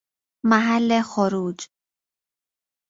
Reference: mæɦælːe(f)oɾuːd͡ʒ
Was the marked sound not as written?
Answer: yes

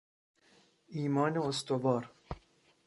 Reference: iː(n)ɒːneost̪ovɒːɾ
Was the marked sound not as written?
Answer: yes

